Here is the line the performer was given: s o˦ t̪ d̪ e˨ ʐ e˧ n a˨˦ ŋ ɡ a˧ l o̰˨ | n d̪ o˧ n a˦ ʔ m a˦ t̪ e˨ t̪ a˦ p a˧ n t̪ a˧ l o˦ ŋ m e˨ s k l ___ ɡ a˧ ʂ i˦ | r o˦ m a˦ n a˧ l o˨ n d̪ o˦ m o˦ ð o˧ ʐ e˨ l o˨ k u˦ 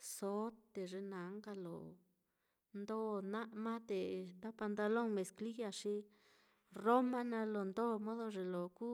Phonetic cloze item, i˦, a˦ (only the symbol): i˦